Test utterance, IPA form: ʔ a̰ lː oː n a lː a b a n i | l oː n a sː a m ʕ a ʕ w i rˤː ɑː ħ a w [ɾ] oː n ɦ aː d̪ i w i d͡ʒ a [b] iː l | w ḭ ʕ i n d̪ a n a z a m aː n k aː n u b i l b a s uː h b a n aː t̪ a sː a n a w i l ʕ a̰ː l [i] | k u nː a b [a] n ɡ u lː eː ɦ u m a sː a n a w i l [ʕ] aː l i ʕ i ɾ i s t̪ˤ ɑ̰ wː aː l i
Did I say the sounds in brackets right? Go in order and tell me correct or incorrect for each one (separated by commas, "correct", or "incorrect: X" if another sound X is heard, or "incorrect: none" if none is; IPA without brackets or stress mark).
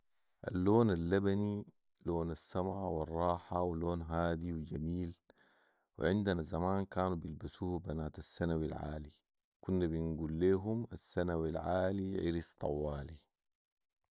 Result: incorrect: l, incorrect: m, correct, incorrect: i, correct